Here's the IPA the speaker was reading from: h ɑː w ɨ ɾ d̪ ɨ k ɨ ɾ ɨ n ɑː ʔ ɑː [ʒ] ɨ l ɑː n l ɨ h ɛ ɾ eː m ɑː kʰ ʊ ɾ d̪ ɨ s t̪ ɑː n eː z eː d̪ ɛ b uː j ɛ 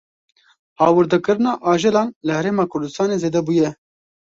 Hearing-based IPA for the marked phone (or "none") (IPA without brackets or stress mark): ʒ